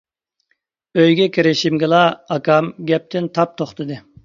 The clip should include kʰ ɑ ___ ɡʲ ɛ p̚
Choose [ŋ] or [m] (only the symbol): m